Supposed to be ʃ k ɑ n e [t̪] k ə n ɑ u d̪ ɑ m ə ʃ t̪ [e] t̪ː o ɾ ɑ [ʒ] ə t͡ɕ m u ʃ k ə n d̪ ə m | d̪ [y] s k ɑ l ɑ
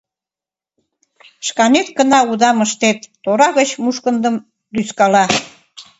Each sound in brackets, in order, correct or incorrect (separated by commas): correct, correct, incorrect, correct